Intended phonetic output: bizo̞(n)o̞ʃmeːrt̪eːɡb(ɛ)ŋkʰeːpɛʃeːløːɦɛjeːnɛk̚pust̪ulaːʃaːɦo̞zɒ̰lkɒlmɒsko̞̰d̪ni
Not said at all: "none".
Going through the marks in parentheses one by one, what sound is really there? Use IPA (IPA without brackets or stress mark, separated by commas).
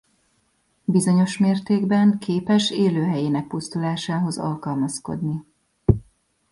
ɲ, ɛ